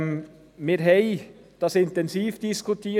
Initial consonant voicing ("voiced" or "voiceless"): voiced